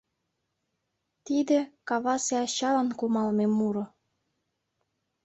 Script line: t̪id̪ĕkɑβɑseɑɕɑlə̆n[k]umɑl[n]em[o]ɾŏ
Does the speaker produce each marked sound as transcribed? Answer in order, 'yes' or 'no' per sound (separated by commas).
yes, no, no